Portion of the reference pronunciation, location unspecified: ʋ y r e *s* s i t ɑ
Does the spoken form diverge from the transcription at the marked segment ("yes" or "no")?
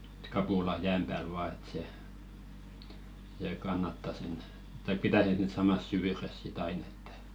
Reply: no